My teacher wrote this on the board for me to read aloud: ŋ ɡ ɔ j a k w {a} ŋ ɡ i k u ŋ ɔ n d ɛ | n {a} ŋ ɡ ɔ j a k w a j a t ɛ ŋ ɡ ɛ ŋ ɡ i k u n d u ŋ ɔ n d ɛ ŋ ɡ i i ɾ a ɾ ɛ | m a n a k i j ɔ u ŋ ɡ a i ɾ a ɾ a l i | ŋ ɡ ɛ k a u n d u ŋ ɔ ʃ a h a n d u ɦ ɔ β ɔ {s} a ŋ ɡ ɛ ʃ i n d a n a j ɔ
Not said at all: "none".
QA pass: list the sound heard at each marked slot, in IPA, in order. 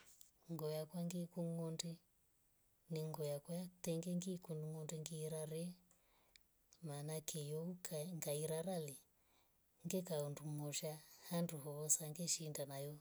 a, i, s

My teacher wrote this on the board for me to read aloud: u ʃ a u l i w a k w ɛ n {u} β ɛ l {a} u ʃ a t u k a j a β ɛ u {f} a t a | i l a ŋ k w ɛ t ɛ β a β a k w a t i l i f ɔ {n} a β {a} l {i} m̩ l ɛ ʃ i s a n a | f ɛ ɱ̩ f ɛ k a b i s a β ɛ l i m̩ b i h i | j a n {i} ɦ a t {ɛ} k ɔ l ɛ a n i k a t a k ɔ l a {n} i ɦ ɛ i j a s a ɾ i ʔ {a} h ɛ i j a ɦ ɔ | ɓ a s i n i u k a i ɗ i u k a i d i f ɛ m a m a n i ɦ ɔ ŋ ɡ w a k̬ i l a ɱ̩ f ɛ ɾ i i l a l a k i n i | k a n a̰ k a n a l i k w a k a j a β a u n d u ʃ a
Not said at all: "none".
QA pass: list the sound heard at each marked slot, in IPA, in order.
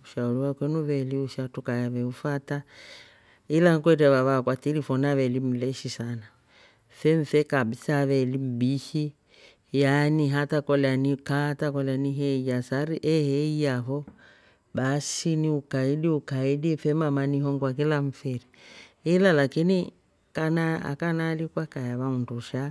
u, i, f, n, ɛ, i, i, a, n, ɛ

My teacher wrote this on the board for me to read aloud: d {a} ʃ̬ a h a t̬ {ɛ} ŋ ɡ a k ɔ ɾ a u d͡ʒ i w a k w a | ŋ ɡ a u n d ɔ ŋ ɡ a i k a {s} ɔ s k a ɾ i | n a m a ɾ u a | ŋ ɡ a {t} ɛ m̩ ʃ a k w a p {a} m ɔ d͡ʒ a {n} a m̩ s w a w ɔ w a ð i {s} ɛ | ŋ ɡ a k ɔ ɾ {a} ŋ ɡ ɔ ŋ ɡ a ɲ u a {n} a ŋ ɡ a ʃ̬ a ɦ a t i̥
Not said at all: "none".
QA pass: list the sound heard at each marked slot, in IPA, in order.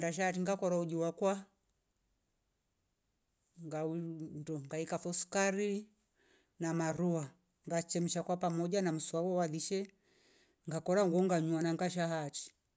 a, i, f, t͡ʃ, a, n, ʃ, a, n

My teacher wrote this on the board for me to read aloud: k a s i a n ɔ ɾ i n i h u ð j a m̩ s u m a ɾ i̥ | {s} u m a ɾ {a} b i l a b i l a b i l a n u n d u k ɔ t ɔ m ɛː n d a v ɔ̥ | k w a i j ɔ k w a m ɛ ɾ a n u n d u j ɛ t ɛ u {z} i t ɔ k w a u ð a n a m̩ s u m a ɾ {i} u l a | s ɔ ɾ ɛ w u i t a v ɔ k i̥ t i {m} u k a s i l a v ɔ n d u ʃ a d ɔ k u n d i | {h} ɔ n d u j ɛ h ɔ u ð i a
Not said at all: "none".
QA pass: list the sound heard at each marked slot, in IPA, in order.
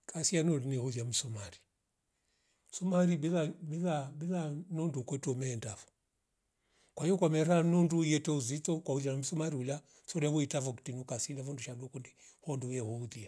s, i, z, i, n, h

